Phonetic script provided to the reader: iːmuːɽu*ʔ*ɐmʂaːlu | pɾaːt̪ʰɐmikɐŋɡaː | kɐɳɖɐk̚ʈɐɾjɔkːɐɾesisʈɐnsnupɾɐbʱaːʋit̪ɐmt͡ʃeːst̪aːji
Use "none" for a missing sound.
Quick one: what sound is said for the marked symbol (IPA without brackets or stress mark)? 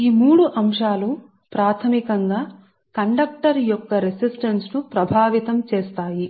ʔ